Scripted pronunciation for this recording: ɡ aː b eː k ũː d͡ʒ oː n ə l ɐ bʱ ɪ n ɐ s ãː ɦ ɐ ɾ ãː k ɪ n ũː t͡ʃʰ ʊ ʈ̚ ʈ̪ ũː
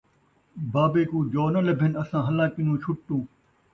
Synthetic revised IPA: b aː b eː k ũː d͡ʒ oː n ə l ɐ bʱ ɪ n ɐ s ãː ɦ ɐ l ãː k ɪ n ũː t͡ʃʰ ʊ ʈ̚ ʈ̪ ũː